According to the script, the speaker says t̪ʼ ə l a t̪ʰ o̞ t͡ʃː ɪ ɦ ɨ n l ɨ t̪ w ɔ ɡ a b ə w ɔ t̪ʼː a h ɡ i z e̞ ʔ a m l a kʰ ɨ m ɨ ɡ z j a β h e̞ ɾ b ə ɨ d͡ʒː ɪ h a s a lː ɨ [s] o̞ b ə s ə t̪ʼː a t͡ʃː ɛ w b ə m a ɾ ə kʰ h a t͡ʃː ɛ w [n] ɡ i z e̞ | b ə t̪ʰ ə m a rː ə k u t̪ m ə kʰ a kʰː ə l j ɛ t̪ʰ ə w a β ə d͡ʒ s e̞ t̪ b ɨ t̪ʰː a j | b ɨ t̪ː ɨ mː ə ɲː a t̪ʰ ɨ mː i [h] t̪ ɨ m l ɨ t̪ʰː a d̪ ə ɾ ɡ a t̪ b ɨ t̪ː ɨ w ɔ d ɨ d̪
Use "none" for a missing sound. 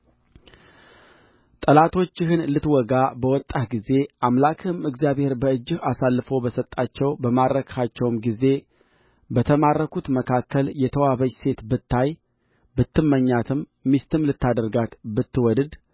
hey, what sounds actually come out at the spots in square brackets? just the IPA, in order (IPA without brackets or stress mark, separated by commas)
f, m, s